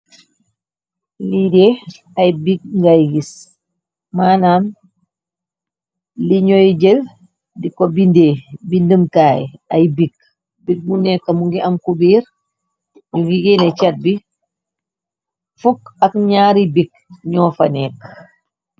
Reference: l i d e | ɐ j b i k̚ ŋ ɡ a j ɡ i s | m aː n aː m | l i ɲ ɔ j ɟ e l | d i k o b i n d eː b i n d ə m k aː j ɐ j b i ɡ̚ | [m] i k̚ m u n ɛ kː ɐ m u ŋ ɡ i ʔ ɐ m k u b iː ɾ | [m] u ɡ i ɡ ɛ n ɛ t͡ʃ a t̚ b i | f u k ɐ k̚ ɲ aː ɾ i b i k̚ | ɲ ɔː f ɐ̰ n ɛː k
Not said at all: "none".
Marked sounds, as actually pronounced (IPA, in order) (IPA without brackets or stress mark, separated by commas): b, ɲ